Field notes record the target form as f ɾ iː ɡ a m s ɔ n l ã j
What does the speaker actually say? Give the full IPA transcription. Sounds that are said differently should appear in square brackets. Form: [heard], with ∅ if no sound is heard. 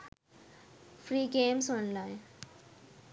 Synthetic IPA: f ɾ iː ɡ [e] m s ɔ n l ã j